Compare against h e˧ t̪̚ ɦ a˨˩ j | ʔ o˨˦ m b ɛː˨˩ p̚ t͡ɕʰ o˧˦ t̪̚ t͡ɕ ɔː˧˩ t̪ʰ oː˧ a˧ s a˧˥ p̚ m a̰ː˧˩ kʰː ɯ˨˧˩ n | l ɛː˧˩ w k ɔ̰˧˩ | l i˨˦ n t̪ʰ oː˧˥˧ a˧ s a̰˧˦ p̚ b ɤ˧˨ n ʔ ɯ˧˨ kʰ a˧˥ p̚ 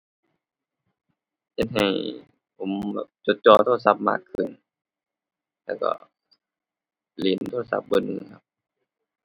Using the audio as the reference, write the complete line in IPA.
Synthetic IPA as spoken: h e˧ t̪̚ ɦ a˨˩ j | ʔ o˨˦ m b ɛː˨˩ p̚ t͡ɕ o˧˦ t̪̚ t͡ɕ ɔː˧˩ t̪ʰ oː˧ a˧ s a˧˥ p̚ m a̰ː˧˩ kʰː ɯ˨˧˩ n | l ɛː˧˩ w k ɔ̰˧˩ | l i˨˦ n t̪ʰ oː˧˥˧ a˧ s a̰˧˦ p̚ b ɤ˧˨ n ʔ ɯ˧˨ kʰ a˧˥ p̚